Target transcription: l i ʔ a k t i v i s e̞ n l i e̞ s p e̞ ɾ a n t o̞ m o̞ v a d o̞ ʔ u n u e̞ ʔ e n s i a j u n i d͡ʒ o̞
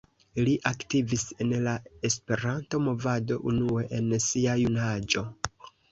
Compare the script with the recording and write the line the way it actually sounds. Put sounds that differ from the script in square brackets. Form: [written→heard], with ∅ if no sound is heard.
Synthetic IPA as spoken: l i ʔ a k t i v i s e̞ n l [i→a] e̞ s p e̞ ɾ a n t o̞ m o̞ v a d o̞ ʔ u n u e̞ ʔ e n s i a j u n [i→a] d͡ʒ o̞